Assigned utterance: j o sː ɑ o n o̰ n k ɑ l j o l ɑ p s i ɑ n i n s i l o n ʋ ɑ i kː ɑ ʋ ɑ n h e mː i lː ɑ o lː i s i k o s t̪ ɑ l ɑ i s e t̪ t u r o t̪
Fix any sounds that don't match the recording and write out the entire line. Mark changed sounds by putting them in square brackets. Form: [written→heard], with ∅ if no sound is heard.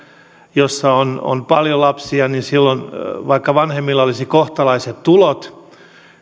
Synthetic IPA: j o sː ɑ o n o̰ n [k→p] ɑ l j o l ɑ p s i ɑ n i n s i [l→lː] o n ʋ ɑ i kː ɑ ʋ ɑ n h e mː i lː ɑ o [lː→l] i s i k o [s→h] t̪ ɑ l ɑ i s e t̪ t u [r→l] o t̪